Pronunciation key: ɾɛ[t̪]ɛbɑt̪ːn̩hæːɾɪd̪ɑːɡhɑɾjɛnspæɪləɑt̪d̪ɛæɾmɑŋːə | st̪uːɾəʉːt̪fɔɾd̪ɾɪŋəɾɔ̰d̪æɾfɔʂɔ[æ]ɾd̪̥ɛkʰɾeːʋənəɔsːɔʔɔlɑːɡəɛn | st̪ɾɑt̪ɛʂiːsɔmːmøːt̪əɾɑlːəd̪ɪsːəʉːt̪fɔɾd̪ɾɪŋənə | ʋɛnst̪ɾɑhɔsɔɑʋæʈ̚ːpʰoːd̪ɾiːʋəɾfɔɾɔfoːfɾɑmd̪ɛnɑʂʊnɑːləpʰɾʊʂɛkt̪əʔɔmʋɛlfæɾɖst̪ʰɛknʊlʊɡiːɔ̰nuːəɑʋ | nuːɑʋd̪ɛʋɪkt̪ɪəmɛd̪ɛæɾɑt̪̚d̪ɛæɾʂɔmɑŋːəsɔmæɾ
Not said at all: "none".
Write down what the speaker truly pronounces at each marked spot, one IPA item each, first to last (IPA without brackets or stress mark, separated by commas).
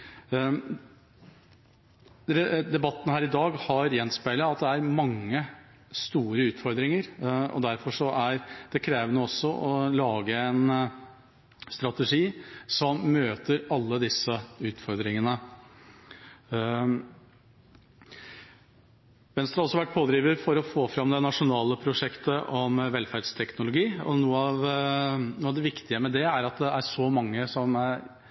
d̪, æ